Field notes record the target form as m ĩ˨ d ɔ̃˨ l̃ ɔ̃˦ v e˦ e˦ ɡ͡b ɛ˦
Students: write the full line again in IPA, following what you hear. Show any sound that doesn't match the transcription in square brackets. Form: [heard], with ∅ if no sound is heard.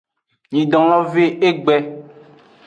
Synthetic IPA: [ɲ] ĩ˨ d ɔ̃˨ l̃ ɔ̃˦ v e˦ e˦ ɡ͡b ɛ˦